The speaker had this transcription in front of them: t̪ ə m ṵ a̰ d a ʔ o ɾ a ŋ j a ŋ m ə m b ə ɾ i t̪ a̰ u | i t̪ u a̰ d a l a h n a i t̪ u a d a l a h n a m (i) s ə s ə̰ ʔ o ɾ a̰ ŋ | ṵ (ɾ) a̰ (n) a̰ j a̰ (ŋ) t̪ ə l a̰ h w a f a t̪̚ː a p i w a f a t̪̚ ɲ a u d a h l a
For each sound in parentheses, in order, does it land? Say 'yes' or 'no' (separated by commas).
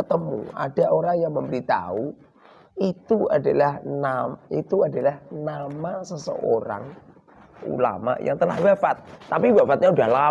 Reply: no, no, no, yes